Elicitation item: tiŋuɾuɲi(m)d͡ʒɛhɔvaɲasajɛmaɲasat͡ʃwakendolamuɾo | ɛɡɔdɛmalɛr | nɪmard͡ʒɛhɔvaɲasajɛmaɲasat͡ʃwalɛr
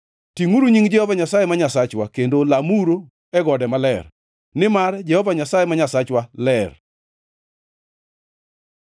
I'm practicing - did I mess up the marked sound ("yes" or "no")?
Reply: yes